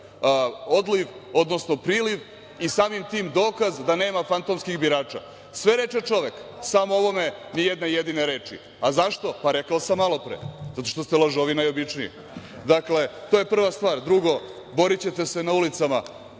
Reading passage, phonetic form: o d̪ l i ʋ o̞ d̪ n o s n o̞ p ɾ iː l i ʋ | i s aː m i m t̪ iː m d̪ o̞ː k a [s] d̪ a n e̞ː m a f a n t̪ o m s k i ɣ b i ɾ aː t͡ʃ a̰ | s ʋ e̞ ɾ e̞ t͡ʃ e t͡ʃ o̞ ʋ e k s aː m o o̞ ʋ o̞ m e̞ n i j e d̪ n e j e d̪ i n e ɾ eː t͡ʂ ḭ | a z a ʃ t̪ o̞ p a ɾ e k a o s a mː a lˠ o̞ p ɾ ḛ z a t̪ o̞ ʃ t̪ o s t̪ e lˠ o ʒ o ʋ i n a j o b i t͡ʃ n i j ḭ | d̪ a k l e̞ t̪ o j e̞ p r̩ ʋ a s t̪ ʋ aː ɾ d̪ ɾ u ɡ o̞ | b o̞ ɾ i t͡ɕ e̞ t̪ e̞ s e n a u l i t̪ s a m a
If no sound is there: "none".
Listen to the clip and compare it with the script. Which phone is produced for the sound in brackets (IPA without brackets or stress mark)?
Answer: z